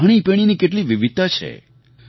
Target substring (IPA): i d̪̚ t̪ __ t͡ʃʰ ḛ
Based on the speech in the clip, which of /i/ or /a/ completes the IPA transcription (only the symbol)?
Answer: a